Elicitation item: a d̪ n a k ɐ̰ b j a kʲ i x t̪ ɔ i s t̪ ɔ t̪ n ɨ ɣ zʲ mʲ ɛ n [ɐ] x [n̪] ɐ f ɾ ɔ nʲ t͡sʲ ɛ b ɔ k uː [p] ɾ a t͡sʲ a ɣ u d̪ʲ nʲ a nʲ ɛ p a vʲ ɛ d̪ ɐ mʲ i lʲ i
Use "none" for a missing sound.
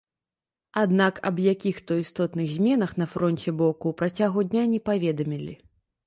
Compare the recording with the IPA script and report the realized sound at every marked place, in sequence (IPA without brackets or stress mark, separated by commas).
ɐ, n̪, p